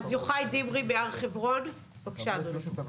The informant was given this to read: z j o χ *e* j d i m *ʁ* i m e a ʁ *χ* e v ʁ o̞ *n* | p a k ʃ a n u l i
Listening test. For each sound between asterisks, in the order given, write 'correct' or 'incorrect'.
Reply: incorrect: a, correct, correct, correct

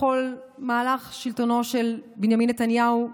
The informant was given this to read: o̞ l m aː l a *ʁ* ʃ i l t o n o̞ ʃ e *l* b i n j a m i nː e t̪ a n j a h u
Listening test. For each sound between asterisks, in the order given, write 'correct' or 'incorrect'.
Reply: incorrect: χ, correct

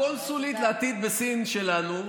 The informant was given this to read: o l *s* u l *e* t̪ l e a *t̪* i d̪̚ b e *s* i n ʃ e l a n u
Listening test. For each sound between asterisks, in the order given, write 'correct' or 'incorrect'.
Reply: correct, incorrect: i, correct, correct

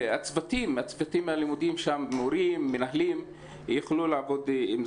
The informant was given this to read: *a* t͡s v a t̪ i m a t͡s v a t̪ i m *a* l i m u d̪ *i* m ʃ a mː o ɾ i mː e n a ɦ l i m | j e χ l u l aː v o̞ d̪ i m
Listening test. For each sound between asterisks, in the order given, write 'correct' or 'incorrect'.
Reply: correct, correct, correct

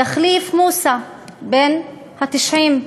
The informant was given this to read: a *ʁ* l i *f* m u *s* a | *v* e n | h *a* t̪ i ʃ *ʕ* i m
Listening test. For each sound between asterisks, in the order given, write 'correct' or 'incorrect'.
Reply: incorrect: χ, correct, correct, incorrect: b, correct, correct

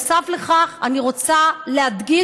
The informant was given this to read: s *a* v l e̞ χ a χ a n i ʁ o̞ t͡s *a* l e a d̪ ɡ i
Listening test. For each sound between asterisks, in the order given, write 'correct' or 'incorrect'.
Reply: correct, correct

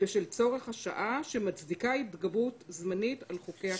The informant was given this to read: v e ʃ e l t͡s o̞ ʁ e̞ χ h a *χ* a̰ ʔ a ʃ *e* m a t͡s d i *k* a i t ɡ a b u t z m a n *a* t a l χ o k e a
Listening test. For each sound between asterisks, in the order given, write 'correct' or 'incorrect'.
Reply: incorrect: ʃ, correct, correct, incorrect: i

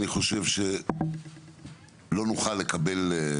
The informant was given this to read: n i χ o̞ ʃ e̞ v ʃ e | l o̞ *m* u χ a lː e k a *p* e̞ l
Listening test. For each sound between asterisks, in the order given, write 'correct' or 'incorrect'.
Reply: incorrect: n, incorrect: b

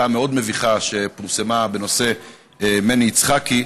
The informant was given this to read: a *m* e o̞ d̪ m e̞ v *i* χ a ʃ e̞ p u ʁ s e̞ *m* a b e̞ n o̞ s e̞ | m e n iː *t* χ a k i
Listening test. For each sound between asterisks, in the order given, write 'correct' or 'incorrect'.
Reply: correct, correct, correct, incorrect: t͡s

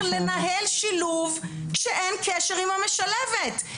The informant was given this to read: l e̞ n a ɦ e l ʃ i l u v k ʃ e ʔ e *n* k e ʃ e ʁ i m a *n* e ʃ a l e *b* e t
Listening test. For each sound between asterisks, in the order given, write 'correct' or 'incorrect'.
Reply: correct, incorrect: m, incorrect: v

